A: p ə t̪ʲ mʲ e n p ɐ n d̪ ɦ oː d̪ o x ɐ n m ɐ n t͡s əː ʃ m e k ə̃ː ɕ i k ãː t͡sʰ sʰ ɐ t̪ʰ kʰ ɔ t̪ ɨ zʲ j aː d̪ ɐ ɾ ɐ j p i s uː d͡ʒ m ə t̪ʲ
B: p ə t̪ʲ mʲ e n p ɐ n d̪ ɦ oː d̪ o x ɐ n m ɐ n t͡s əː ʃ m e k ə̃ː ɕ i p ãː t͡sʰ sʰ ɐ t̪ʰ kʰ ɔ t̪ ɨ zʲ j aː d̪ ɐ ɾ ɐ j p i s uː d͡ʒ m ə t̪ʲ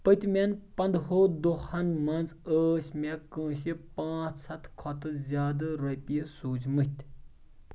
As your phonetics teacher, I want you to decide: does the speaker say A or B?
B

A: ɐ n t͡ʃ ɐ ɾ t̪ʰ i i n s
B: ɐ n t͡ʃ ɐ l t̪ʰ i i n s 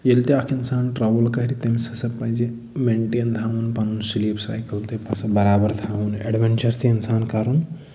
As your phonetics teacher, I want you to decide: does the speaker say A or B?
A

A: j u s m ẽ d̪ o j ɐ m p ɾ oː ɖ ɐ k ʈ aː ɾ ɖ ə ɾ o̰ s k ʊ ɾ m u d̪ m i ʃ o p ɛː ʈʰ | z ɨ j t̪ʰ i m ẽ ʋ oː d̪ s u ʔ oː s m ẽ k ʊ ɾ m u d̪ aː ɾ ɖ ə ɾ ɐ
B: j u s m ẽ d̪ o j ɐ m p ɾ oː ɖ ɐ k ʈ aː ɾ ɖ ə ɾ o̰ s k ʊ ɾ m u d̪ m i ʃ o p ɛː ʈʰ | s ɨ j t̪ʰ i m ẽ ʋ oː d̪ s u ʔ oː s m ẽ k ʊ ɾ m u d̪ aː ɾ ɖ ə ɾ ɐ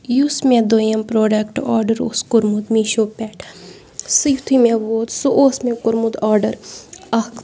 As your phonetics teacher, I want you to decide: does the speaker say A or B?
B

